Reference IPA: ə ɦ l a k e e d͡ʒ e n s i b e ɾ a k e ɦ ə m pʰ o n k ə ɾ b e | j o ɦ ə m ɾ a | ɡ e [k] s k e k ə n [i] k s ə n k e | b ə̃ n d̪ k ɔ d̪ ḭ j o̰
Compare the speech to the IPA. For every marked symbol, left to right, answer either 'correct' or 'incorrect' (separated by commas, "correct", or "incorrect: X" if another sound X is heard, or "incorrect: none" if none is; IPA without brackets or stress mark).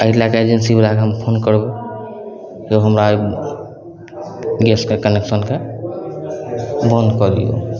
incorrect: none, incorrect: e